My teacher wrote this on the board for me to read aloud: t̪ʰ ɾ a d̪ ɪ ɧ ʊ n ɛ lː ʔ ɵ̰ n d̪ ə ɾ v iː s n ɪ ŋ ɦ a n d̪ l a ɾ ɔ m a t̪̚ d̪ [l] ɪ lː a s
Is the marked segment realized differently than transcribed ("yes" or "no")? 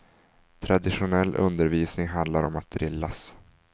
yes